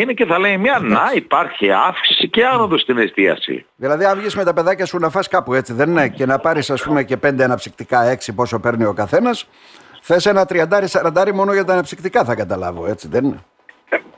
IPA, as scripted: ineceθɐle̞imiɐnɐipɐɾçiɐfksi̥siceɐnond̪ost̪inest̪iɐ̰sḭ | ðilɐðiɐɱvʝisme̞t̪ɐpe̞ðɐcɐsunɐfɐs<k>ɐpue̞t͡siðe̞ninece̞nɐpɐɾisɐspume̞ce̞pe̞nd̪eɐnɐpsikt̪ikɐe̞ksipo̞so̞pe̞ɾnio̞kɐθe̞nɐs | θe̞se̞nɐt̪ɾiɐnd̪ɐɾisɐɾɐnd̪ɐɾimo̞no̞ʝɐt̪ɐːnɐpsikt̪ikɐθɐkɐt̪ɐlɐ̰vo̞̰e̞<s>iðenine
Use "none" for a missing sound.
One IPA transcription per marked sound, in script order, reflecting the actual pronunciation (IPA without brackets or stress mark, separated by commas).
k, t͡s